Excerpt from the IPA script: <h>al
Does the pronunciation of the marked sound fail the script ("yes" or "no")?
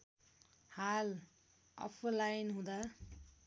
no